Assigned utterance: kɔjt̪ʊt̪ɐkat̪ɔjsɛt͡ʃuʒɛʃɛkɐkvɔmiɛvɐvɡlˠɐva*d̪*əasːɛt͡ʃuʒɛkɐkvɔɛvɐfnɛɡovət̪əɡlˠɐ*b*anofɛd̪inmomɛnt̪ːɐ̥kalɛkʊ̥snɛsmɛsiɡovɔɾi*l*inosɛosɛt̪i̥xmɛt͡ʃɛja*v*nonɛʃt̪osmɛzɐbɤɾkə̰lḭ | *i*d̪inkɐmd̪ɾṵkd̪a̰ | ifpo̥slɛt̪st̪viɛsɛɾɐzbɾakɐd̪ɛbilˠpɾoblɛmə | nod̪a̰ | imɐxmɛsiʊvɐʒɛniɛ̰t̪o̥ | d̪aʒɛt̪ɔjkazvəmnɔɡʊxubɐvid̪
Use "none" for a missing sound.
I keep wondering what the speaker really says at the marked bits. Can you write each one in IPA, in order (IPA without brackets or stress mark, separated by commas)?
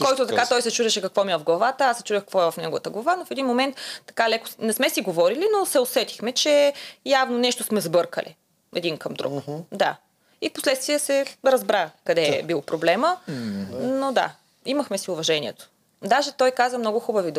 t̪, v, l, v, ɛ